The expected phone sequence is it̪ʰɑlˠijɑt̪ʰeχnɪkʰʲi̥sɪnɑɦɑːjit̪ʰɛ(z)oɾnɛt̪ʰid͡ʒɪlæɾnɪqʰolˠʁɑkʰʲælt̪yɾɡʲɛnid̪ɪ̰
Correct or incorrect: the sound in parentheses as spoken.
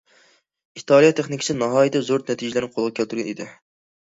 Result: correct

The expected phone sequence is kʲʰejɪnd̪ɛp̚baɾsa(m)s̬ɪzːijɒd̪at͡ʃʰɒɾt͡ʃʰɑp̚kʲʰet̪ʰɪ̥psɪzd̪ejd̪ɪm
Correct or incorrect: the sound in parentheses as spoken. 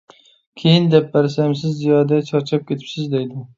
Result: correct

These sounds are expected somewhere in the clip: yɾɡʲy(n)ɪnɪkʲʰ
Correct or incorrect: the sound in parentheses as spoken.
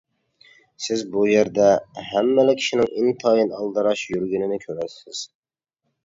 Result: correct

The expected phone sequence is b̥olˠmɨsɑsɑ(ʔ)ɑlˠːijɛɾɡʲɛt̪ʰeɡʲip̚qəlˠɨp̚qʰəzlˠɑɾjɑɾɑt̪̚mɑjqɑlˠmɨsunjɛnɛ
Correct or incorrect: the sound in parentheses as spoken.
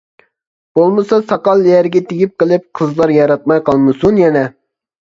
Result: incorrect: q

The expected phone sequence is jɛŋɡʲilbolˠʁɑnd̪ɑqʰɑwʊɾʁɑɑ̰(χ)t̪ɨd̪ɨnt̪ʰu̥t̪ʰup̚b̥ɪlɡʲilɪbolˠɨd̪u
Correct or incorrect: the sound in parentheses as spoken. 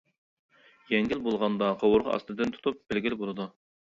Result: incorrect: s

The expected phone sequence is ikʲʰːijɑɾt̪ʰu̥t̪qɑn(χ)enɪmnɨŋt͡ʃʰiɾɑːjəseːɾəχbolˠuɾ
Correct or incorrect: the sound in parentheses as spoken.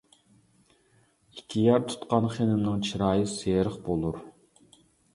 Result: correct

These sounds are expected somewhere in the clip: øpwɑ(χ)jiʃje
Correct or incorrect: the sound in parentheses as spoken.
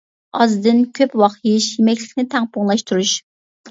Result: correct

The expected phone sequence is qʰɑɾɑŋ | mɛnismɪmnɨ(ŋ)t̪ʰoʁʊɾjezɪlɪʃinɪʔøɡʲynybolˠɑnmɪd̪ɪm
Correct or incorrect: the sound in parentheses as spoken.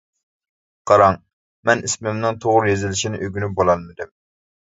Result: correct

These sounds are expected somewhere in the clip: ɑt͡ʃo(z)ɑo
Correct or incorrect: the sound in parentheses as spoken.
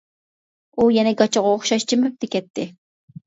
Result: incorrect: ʁ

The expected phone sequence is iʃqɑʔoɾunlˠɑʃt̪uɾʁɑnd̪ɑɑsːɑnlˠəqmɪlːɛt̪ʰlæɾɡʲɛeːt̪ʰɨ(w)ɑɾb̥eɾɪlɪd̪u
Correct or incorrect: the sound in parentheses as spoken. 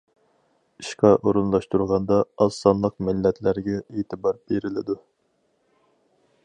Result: incorrect: b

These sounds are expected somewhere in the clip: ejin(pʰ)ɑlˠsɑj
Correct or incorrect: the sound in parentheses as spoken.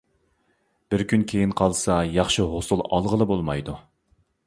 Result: incorrect: qʰ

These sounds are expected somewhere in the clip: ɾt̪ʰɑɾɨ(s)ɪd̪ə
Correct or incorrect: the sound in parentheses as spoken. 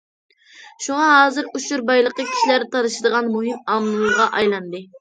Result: incorrect: ʃ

